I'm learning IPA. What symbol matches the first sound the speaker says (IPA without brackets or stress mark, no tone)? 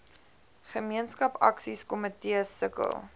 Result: χ